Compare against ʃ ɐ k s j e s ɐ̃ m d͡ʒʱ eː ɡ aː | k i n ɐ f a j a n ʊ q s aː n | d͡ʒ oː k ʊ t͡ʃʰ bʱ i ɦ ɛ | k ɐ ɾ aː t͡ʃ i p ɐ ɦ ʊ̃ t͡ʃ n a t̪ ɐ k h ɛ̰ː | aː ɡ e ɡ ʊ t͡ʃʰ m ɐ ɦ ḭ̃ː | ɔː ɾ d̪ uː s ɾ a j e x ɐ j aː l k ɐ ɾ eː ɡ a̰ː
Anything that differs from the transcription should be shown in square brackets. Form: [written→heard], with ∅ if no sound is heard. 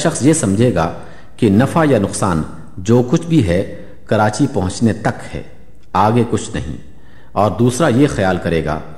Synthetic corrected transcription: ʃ ɐ [k→x] s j e s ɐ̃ m d͡ʒʱ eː ɡ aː | k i n ɐ f a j a n ʊ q s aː n | d͡ʒ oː k ʊ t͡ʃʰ bʱ i ɦ ɛ | k ɐ ɾ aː t͡ʃ i p ɐ ɦ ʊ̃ t͡ʃ n [a→e] t̪ ɐ k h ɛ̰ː | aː ɡ e [ɡ→k] ʊ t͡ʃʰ [m→n] ɐ ɦ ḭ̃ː | ɔː ɾ d̪ uː s ɾ a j e x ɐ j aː l k ɐ ɾ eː ɡ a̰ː